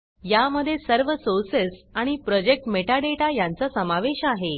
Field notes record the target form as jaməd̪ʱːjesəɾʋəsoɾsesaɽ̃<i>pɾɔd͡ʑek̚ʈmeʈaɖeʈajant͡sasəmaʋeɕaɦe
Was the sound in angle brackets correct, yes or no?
yes